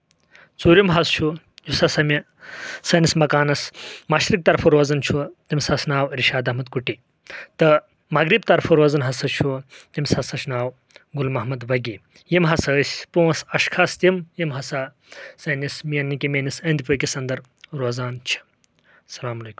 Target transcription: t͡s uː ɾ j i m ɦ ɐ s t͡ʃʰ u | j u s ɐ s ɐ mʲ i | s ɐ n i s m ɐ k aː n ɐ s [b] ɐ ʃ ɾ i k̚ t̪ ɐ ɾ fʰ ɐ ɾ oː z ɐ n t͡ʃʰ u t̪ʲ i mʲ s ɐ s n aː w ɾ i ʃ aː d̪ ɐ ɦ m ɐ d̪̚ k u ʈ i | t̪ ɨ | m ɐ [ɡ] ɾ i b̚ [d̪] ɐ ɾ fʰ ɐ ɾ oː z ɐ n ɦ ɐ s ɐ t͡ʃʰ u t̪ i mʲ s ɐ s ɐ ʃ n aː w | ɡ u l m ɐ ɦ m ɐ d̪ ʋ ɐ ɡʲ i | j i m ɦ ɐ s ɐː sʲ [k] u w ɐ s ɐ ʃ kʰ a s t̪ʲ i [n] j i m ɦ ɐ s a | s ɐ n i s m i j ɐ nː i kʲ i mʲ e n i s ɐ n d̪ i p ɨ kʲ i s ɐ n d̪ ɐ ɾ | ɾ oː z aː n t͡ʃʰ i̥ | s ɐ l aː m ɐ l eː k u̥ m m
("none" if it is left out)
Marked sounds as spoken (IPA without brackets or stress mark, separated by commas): m, ɡ, t̪, p, m